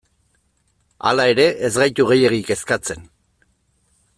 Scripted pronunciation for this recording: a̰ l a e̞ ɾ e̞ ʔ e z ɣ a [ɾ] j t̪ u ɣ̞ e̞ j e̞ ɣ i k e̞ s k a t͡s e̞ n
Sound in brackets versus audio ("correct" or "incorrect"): incorrect